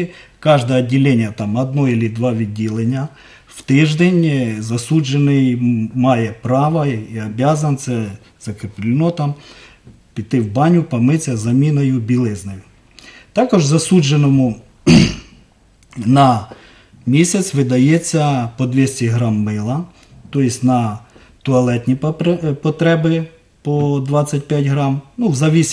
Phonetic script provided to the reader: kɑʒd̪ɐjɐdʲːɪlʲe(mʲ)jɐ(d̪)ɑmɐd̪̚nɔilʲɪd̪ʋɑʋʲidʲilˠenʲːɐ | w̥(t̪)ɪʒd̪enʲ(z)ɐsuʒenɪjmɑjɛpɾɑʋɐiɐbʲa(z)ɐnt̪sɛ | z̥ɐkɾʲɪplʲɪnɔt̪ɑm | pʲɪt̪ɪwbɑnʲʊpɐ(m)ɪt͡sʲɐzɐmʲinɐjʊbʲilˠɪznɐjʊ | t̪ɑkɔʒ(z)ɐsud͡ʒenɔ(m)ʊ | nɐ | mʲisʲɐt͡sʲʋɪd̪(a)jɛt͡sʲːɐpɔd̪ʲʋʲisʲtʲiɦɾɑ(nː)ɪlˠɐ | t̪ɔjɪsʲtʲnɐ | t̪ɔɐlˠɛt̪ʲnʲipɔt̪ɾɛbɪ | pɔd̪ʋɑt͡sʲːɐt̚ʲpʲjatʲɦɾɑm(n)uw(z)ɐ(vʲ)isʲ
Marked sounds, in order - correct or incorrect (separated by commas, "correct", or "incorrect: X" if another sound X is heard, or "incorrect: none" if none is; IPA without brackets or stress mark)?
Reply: incorrect: nʲ, incorrect: t̪, correct, correct, correct, correct, correct, correct, incorrect: ɐ, incorrect: mː, correct, correct, incorrect: ʋʲ